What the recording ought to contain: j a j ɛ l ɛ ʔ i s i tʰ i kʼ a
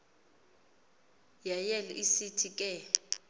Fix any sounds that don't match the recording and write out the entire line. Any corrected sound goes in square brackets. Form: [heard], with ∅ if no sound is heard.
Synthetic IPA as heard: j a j ɛ l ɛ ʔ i s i tʰ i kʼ [ɛ]